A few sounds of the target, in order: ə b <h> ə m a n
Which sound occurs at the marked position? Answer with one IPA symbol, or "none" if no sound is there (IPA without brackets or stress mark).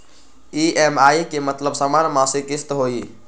s